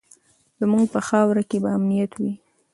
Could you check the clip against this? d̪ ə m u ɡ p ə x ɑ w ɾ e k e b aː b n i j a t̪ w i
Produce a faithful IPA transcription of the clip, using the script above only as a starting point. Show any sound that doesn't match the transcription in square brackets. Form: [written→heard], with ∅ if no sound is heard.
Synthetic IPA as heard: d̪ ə m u ɡ p ə x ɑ w ɾ [e→a] k e b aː [b→m] n i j a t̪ w i

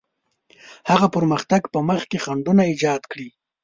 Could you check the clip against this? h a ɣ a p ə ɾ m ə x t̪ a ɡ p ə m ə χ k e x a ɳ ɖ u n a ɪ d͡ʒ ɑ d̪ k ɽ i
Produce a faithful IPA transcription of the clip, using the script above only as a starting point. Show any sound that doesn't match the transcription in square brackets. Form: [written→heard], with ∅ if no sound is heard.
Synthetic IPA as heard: h a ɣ a p ə ɾ m ə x t̪ a ɡ p ə m ə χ k e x a ɳ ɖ u n a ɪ d͡ʒ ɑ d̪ k ɽ i

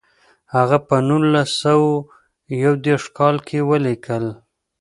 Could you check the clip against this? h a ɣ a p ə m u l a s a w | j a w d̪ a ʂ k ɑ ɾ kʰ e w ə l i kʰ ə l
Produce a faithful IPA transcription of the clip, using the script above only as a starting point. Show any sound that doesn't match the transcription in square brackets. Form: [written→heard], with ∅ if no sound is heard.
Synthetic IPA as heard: h a ɣ a p ə [m→n] u l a s a w | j a w d̪ [a→e] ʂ k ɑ [ɾ→l] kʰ e w ə l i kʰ ə l

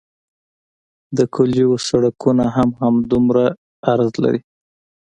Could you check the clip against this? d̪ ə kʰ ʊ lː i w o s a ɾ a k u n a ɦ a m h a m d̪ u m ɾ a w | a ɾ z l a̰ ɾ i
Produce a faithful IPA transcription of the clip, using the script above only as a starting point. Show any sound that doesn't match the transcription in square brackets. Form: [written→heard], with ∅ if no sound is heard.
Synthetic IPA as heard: d̪ ə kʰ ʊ [lː→l] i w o s a [ɾ→ɽ] a k u n a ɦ a m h a m d̪ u m ɾ a [w→∅] | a ɾ z l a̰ ɾ i

